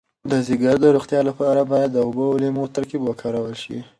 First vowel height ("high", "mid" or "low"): mid